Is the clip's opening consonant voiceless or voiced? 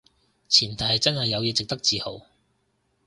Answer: voiceless